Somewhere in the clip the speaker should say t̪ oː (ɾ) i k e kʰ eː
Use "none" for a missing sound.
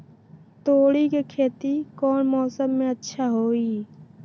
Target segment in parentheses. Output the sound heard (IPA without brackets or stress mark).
ɽ